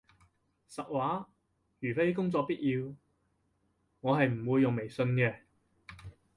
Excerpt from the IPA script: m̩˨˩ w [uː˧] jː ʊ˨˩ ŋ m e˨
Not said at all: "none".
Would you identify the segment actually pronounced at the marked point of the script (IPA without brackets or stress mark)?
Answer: uː˧